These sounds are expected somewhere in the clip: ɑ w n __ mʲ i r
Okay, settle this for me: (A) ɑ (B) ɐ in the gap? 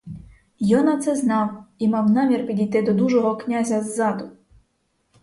A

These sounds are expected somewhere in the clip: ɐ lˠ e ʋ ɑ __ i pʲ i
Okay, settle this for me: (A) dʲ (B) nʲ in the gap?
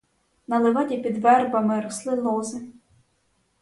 A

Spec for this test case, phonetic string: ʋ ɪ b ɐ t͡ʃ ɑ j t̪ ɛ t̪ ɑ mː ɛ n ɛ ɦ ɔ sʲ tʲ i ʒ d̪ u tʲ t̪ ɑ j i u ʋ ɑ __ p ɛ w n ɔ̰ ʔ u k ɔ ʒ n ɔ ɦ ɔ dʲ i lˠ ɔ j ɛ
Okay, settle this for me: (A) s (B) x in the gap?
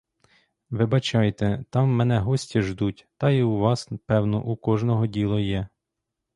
A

